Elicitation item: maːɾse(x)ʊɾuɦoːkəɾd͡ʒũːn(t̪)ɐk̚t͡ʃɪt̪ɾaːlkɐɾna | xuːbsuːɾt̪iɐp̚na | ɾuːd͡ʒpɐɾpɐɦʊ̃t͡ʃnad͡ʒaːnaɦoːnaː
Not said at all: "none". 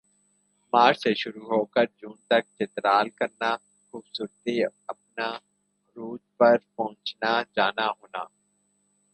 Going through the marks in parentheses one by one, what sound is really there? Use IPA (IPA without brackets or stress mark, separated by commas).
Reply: ʃ, t̪